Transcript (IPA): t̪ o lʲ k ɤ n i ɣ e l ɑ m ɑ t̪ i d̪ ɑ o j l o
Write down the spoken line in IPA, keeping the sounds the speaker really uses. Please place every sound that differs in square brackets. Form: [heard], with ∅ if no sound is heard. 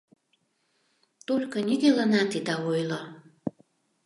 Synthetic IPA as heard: t̪ o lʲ k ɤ n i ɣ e l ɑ [n] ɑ t̪ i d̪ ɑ o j l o